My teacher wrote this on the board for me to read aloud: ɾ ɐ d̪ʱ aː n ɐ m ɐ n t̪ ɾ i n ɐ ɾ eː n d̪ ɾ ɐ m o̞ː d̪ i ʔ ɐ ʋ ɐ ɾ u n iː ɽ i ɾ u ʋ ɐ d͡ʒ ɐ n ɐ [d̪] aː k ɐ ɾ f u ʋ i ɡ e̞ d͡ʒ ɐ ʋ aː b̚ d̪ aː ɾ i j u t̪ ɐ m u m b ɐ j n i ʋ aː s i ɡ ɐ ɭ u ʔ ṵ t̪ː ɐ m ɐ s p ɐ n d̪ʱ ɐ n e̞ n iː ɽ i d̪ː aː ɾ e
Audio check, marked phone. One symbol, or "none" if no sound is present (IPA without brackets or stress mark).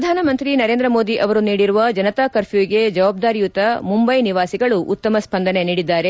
t̪